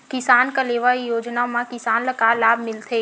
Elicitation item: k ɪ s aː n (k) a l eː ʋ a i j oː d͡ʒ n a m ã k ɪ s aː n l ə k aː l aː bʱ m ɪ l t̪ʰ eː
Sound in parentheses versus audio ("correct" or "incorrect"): correct